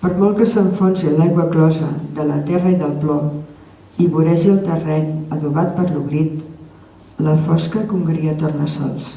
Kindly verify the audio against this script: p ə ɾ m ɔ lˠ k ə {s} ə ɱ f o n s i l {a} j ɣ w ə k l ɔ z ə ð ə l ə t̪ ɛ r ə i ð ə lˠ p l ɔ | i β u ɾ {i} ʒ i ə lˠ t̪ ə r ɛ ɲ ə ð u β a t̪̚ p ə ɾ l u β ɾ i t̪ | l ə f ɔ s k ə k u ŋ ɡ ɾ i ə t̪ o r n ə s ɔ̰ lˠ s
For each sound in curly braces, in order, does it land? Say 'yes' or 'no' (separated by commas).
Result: yes, yes, no